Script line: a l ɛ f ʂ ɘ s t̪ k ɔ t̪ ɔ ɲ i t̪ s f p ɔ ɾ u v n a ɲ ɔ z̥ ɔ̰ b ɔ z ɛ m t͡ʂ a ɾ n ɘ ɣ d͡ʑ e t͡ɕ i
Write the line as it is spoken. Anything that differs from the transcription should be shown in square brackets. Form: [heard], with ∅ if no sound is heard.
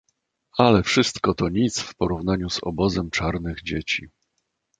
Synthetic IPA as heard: a l ɛ f ʂ ɘ s t̪ k ɔ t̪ ɔ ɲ i t̪ s f p ɔ ɾ u v n a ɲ [u] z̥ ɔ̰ b ɔ z ɛ m t͡ʂ a ɾ n ɘ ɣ d͡ʑ e t͡ɕ i